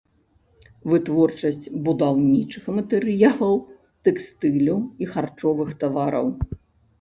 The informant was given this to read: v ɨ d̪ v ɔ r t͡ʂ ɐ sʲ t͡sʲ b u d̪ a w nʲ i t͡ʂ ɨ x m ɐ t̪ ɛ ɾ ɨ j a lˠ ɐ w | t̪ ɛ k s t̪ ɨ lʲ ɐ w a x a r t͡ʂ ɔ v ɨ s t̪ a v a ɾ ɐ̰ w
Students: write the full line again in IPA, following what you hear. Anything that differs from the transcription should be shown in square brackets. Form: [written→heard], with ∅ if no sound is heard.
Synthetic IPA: v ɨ [d̪→t̪] v ɔ r t͡ʂ ɐ sʲ t͡sʲ b u d̪ a w nʲ i t͡ʂ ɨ x m ɐ t̪ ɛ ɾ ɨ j a lˠ ɐ w | t̪ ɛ k s t̪ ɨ lʲ ɐ w [a→i] x a r t͡ʂ ɔ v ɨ [s→x] t̪ a v a ɾ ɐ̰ w

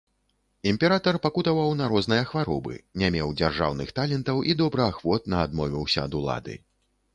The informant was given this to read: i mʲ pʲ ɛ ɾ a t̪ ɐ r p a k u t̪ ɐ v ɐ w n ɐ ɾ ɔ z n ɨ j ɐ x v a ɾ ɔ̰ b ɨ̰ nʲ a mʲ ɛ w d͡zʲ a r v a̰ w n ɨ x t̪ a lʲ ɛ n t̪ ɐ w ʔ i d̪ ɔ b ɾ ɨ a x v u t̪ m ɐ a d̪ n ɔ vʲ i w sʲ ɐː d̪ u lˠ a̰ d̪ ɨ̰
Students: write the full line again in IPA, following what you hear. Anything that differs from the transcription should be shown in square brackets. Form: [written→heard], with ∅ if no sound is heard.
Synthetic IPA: i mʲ pʲ ɛ ɾ a t̪ ɐ r p a k u t̪ ɐ v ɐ w n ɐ ɾ ɔ z n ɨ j ɐ x v a ɾ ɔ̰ b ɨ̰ nʲ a mʲ ɛ w d͡zʲ a r [v→ʐ] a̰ w n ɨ x t̪ a lʲ ɛ n t̪ ɐ w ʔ i d̪ ɔ b ɾ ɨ a x v [u→ɔ] t̪ [m→n] ɐ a d̪ [n→m] ɔ vʲ i w sʲ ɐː d̪ u lˠ a̰ d̪ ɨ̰

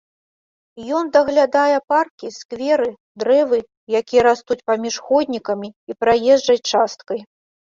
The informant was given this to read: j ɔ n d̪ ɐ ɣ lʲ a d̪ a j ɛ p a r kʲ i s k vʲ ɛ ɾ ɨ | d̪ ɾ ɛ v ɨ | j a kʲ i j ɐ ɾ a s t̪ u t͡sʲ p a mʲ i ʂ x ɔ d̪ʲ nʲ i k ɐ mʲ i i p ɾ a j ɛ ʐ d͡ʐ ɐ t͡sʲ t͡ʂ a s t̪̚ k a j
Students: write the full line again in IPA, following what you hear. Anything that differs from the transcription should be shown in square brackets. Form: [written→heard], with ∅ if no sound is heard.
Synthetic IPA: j ɔ n d̪ ɐ ɣ lʲ a d̪ a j ɛ p a r kʲ i s k vʲ ɛ ɾ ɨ | d̪ ɾ ɛ v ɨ | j a kʲ i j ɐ ɾ a s t̪ u t͡sʲ p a mʲ i ʂ x ɔ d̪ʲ nʲ i k ɐ mʲ i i p ɾ a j ɛ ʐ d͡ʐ ɐ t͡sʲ t͡ʂ a s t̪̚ k [a→ɐ] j

